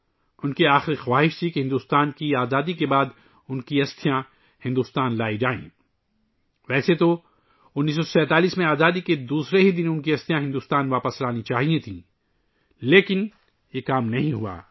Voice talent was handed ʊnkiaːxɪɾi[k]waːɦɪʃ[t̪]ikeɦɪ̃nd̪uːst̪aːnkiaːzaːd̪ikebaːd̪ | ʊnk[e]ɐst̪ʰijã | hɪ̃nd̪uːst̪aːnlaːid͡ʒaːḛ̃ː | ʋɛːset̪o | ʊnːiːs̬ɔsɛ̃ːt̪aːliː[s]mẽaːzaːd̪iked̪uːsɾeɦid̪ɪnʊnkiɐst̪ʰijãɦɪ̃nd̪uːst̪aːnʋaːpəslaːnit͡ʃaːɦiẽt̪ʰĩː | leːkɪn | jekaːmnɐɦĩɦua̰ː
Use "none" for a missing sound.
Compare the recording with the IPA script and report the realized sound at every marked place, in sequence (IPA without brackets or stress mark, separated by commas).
x, t̪ʰ, i, s